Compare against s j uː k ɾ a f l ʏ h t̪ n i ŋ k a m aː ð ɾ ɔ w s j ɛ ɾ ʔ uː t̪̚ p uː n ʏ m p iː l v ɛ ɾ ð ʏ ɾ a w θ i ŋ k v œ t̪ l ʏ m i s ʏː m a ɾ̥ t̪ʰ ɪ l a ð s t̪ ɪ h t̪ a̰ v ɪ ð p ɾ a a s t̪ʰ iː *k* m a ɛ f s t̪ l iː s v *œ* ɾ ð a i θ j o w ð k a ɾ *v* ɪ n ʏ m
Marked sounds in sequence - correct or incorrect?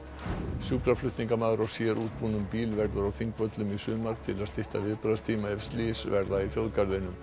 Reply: incorrect: none, incorrect: ɛ, incorrect: ð

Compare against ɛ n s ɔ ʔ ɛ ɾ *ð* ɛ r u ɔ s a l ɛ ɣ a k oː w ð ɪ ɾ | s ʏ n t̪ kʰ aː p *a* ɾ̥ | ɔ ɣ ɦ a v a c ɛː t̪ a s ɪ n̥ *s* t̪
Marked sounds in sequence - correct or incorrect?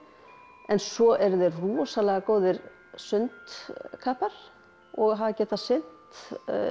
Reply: correct, correct, incorrect: t

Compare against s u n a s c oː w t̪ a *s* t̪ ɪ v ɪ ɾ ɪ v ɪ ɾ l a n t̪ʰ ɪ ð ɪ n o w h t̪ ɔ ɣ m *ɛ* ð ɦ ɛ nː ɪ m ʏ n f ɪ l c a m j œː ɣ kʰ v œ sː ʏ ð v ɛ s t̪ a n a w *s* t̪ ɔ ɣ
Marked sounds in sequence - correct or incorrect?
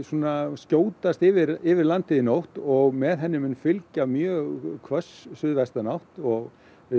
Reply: correct, correct, incorrect: h

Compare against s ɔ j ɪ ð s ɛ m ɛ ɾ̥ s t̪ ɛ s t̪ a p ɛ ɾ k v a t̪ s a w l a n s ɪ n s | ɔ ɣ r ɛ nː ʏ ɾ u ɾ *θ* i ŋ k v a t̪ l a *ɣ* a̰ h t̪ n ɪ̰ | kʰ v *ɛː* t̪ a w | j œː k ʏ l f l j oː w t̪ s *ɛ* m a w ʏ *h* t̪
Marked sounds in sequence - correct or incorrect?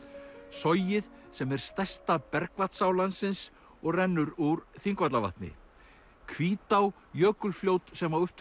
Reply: correct, incorrect: v, incorrect: iː, correct, correct

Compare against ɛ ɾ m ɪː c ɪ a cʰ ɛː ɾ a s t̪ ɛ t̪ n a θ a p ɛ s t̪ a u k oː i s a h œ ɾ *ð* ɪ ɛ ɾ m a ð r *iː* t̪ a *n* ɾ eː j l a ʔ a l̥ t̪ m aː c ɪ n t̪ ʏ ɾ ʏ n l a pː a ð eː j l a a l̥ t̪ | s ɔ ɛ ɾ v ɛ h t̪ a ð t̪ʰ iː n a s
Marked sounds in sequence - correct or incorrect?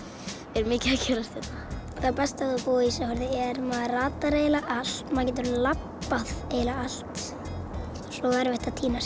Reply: correct, incorrect: aː, incorrect: none

